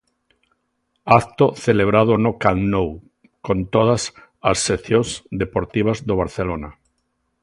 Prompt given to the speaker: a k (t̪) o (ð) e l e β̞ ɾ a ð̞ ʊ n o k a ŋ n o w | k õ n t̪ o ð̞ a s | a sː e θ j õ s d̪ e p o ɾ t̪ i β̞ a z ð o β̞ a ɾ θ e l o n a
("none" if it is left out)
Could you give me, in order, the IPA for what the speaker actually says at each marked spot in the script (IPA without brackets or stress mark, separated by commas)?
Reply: t̪, θ